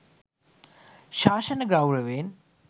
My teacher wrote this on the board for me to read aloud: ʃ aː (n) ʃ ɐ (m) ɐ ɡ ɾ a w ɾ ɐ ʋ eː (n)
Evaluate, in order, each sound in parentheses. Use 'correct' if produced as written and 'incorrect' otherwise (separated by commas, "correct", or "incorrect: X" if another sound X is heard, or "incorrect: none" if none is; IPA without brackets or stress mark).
incorrect: none, incorrect: n, correct